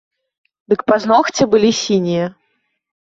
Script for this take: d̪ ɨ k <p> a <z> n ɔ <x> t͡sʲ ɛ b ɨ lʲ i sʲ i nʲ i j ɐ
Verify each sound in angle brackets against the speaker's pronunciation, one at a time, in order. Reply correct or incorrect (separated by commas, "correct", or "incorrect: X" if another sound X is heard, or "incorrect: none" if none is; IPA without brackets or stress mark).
correct, correct, correct